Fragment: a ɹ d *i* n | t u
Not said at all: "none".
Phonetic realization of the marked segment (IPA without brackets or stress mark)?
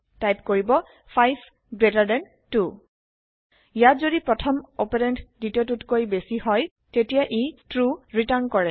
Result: ɛ